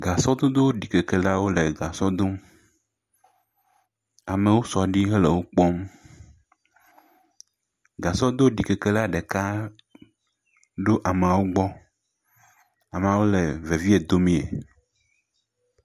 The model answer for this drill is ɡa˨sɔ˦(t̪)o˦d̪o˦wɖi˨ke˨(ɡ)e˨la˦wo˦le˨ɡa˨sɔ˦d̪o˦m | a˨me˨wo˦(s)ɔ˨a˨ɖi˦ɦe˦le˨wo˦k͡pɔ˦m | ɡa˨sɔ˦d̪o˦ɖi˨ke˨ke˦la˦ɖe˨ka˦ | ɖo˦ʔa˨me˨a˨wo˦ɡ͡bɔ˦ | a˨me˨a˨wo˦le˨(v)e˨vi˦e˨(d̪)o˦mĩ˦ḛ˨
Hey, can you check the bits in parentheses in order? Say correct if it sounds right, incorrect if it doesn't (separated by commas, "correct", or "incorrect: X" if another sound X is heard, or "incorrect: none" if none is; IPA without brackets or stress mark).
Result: incorrect: d̪, incorrect: k, correct, correct, correct